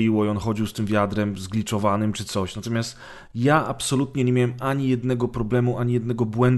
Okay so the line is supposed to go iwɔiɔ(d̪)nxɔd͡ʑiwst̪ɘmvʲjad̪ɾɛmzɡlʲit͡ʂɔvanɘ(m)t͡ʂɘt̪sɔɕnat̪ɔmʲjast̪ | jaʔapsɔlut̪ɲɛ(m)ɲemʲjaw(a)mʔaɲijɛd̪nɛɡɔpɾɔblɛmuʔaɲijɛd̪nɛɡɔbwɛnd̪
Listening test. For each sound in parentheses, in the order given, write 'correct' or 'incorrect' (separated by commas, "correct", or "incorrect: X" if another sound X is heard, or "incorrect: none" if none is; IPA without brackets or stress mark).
incorrect: none, correct, incorrect: none, incorrect: ɛ